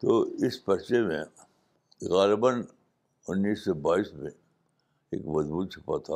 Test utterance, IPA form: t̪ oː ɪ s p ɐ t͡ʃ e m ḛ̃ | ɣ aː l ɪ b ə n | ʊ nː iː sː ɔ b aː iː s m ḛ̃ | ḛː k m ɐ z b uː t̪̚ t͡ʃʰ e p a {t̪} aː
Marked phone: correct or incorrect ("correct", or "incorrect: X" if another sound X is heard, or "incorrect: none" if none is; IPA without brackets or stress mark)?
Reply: incorrect: t̪ʰ